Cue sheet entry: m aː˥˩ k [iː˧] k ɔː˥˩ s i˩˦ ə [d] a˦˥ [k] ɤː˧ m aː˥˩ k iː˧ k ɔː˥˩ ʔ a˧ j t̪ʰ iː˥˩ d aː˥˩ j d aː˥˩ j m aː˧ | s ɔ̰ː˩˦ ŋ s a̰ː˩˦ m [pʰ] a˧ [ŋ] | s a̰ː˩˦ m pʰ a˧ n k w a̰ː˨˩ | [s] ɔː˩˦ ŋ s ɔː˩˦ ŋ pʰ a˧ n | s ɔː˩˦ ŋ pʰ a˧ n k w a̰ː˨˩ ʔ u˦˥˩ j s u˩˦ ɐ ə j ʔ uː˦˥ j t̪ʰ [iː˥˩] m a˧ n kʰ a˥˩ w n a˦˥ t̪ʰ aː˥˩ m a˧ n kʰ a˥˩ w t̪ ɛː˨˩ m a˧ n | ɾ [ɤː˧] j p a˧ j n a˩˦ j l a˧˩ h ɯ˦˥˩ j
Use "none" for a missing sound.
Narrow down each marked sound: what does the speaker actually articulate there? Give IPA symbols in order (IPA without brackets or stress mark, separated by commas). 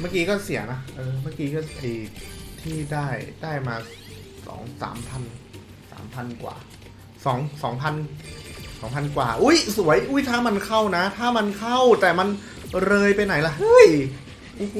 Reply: iː˧, n, ʔ, pʰ, n, s, aː˥˩, ɤː˧